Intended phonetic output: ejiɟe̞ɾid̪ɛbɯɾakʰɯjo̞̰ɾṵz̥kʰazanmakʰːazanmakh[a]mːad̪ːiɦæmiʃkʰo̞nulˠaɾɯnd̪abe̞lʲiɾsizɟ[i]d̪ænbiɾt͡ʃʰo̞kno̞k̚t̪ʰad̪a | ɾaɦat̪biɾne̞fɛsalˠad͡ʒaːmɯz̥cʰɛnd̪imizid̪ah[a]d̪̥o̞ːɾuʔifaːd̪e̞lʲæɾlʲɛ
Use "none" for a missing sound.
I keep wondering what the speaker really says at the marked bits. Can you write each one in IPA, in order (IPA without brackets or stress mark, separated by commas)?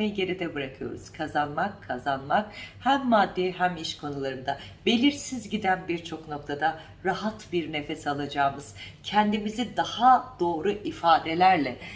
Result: æ, i, a